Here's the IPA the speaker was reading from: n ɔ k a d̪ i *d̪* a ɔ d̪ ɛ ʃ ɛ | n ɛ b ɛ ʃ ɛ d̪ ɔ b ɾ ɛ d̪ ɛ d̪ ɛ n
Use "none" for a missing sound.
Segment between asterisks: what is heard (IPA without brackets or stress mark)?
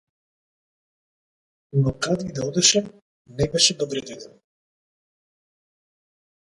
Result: d̪